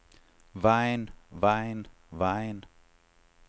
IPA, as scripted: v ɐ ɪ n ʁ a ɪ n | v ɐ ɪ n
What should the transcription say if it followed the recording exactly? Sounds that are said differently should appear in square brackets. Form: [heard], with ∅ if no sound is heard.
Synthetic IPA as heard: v [a] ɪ n [v] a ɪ n | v [a] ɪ n